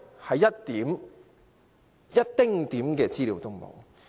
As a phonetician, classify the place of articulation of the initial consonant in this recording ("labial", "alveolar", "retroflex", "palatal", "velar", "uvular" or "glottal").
glottal